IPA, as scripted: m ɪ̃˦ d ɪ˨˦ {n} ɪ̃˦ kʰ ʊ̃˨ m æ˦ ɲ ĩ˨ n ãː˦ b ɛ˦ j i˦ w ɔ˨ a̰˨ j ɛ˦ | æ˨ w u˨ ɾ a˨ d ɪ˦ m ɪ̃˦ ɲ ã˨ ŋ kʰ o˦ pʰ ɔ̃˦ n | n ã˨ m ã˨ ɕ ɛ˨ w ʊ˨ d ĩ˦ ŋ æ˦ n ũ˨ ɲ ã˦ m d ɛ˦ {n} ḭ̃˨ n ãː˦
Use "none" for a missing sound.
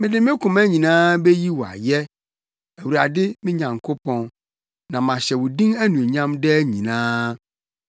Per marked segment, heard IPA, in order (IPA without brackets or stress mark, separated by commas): m, ɲ